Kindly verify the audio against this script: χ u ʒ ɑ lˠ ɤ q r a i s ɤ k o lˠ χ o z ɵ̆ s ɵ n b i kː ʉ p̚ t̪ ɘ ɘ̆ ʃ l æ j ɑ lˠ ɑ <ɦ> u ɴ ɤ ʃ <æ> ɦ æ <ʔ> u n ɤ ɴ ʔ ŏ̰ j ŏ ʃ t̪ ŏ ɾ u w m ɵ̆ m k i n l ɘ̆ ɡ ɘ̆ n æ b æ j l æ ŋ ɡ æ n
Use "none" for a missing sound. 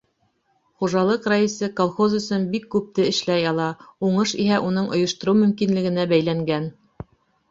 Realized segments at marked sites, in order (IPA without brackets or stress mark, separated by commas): none, i, ʔ